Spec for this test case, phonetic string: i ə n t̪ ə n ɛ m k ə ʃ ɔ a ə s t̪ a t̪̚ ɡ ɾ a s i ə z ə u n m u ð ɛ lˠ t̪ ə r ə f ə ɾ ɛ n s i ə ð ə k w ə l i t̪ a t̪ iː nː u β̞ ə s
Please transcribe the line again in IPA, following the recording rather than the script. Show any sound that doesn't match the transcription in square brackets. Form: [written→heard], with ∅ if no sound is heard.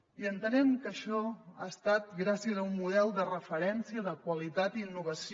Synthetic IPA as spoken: i ə n t̪ ə n ɛ m k ə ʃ ɔ a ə s t̪ a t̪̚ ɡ ɾ a s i ə z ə u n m u ð ɛ lˠ [t̪→d̪] ə r ə f ə ɾ ɛ n s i ə ð ə k w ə l i t̪ a t̪ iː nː u β̞ ə s

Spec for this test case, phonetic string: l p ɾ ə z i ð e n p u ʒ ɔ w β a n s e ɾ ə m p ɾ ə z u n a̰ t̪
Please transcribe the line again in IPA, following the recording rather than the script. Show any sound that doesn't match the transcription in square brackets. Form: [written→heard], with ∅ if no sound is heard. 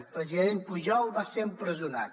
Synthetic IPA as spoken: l p ɾ ə z i ð e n p u ʒ ɔ w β a [n→∅] s e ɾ ə m p ɾ ə z u n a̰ t̪

